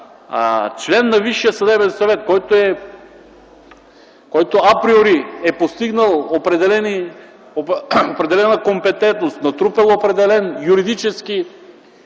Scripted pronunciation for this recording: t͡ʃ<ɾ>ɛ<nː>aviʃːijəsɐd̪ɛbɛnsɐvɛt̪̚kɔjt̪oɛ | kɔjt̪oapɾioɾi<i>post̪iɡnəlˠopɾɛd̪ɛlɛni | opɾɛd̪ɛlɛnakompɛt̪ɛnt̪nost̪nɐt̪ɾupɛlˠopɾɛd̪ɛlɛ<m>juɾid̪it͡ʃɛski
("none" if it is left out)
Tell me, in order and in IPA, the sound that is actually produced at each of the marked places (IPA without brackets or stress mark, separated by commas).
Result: l, nː, ɛ, n